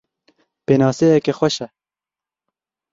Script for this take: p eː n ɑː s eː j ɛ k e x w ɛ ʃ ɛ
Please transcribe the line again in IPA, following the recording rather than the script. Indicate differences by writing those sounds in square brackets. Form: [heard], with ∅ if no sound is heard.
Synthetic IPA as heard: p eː n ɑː s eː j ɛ k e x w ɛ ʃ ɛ

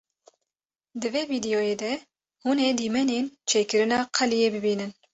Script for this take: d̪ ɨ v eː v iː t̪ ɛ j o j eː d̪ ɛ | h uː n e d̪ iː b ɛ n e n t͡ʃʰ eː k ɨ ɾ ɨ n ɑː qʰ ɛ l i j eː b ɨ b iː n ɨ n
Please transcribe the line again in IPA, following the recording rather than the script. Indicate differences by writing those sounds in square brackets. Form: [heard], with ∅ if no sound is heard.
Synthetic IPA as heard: d̪ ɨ v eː v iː [d̪] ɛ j o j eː d̪ ɛ | h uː n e d̪ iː [m] ɛ n e n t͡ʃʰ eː k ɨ ɾ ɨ n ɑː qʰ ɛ l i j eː b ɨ b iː n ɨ n

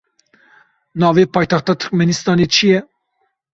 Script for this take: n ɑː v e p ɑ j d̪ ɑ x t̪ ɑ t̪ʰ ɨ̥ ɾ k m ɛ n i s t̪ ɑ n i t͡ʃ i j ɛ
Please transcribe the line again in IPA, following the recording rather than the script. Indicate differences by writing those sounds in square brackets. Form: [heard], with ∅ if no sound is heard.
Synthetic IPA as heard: n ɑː v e p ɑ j [t̪] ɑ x t̪ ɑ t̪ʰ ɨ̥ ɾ k m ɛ n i s t̪ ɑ n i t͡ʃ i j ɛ

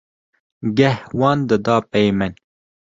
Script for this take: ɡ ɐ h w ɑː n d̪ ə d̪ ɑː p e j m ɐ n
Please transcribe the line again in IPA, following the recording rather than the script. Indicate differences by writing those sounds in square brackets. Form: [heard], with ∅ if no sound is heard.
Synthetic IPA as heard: ɡ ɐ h w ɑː n d̪ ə d̪ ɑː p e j m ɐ n

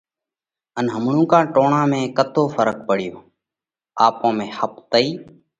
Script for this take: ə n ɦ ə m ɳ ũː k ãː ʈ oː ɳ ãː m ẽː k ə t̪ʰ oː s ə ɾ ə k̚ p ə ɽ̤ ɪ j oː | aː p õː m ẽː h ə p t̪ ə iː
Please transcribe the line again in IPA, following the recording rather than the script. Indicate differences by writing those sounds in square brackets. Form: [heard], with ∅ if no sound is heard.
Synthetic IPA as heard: ə n ɦ ə m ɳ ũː k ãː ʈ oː ɳ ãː m ẽː k ə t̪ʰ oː [f] ə ɾ ə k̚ p ə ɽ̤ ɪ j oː | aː p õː m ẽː h ə p t̪ ə iː

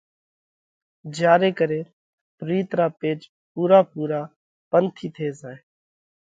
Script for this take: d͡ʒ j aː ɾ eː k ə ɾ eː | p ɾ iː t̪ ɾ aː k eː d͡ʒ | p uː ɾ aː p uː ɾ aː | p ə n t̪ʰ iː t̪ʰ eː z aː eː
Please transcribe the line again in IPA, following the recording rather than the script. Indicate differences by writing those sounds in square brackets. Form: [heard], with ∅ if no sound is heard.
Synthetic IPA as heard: d͡ʒ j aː ɾ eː k ə ɾ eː | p ɾ iː t̪ ɾ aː [p] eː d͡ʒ | p uː ɾ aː p uː ɾ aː | p ə n t̪ʰ iː t̪ʰ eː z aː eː

